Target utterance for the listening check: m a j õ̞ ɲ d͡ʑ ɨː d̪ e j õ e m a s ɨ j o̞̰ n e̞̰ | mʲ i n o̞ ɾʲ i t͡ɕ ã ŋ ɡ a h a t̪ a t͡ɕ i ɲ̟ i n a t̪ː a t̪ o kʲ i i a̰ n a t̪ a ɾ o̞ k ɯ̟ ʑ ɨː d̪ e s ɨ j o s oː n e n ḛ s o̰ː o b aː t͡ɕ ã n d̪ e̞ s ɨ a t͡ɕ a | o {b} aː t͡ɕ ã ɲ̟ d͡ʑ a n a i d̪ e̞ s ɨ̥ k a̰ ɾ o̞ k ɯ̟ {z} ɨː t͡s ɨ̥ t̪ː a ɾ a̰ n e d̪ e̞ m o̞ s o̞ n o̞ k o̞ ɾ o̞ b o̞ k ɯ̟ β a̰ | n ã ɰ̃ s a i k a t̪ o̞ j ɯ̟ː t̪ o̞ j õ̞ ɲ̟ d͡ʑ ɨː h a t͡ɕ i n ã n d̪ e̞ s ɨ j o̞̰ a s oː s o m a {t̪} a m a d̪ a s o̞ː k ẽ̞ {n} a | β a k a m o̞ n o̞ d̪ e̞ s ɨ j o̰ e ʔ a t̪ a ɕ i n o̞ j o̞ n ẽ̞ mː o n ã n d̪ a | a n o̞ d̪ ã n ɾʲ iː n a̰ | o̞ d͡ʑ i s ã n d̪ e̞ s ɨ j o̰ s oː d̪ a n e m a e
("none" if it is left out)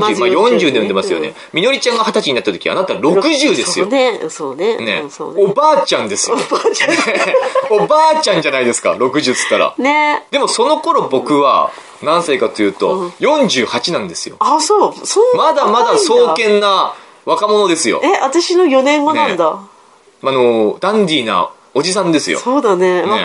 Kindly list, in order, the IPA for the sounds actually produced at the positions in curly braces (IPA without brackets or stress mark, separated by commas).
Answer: b, ʑ, d̪, nː